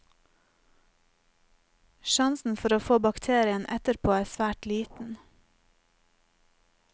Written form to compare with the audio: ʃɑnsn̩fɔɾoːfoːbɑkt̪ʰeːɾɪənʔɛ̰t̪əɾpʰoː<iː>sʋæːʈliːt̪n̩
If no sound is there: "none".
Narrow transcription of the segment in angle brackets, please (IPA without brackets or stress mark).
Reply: æː